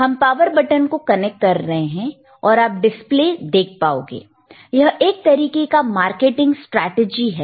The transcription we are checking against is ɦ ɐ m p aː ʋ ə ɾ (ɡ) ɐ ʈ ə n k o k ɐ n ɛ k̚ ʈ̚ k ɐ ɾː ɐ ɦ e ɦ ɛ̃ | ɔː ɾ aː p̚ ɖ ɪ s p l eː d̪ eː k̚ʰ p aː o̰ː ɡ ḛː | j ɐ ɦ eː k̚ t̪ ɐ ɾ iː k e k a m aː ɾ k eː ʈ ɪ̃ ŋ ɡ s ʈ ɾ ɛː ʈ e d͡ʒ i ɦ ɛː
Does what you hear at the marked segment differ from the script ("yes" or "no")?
yes